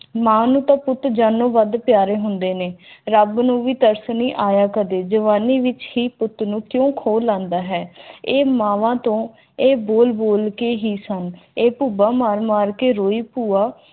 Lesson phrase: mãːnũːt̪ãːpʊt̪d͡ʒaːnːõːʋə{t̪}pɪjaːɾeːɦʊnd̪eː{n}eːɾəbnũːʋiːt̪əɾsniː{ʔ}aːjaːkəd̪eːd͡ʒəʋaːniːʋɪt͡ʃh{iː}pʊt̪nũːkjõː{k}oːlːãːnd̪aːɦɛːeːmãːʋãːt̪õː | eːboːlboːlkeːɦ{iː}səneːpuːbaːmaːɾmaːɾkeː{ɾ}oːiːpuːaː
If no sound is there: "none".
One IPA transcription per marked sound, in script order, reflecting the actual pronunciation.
d̪, n, ʔ, iː, kʰ, iː, ɾ

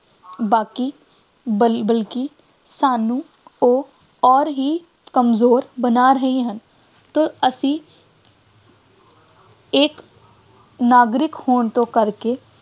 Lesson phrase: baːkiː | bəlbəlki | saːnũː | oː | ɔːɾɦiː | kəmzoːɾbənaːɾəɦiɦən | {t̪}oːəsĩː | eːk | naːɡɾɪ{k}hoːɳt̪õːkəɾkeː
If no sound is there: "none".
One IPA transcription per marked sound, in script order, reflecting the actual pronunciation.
t̪, k

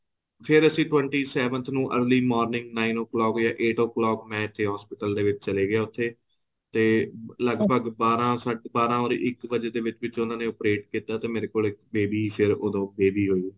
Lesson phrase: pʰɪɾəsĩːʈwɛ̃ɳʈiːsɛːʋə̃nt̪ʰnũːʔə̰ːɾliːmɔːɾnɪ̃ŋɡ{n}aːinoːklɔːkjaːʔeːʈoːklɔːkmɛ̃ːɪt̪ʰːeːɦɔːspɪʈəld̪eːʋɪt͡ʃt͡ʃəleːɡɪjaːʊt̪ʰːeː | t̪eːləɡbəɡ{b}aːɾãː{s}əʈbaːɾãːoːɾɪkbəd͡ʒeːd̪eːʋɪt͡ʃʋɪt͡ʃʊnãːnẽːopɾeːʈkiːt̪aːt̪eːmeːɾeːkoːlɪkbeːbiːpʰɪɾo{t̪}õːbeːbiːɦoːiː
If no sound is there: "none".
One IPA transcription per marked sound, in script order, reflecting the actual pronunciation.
n, b, s, d̪

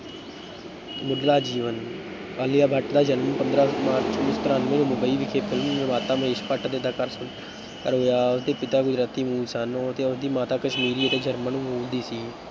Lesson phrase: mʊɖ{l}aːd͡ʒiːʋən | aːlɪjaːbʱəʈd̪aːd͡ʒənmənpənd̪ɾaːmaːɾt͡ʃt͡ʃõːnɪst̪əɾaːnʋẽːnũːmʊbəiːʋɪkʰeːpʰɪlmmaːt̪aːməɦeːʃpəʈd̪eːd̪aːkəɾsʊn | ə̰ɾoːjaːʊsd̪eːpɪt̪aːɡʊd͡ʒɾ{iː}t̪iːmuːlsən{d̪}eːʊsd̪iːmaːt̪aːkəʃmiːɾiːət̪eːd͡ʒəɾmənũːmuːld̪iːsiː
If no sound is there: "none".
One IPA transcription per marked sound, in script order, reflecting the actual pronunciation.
l, aː, t̪

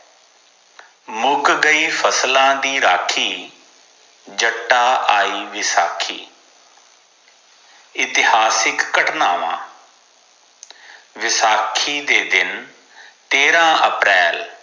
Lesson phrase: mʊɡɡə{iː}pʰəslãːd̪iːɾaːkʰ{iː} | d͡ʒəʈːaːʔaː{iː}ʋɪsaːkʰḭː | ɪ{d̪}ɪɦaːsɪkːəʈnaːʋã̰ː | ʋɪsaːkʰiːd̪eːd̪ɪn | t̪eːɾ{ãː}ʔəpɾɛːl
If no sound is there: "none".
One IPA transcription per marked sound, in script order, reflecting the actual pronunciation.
iː, iː, iː, t̪, ãː

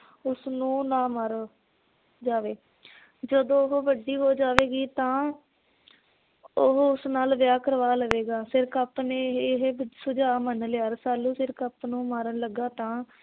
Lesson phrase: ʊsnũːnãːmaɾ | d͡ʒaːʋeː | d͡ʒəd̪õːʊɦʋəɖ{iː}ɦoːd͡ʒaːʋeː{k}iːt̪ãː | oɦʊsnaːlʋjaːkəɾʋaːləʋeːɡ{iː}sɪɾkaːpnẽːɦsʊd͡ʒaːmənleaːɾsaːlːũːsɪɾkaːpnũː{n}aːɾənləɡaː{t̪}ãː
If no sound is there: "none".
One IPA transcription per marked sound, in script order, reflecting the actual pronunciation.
iː, ɡ, aː, m, t̪

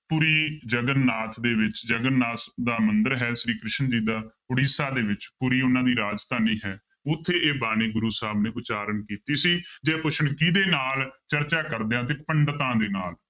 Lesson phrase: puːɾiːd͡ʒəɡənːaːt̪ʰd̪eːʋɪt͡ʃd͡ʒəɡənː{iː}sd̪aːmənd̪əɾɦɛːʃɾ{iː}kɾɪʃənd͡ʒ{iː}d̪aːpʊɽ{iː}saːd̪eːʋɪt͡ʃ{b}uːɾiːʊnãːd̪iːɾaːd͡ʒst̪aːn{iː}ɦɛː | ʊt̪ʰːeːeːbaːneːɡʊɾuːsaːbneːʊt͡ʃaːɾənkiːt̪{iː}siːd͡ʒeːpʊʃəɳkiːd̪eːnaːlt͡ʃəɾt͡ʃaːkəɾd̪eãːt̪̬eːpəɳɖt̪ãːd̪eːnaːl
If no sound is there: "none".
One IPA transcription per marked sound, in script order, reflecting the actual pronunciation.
aː, iː, iː, iː, p, iː, iː

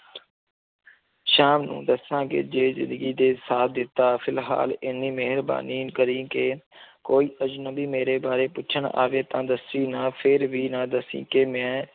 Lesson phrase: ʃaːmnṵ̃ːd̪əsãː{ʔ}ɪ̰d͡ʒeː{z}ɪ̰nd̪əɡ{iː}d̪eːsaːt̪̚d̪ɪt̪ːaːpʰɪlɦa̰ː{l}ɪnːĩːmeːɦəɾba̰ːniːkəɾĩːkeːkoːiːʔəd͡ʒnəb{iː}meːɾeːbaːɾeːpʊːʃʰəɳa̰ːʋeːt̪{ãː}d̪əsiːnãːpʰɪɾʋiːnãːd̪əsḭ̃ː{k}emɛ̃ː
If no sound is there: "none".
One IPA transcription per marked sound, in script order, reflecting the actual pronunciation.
k, z, iː, l, iː, ãː, k

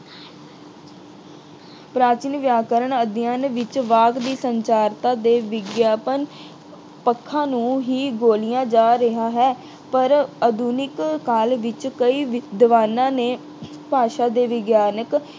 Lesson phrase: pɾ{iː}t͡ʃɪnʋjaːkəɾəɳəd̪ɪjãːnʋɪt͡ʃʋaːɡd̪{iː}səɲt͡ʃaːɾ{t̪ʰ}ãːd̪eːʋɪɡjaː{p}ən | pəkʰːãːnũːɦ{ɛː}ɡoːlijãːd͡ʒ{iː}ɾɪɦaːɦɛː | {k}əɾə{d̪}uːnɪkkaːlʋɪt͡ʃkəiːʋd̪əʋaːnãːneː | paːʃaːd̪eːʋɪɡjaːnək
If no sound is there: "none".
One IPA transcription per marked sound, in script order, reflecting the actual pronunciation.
aː, iː, t̪, p, iː, aː, p, d̪

